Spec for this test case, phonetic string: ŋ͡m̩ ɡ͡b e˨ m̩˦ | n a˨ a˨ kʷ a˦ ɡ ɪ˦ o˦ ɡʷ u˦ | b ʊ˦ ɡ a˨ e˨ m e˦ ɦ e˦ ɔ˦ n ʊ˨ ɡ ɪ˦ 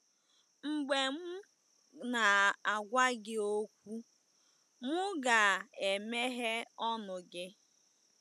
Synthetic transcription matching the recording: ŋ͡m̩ ɡ͡b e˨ m̩˦ | n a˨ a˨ ɡʷ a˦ ɡ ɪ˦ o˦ kʷ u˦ | m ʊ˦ ɡ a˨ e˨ m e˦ ɦ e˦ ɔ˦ n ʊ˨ ɡ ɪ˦